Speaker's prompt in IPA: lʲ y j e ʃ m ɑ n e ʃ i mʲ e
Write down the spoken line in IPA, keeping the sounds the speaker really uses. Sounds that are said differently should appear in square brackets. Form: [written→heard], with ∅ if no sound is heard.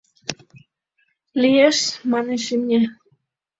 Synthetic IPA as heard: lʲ [y→i] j e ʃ m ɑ n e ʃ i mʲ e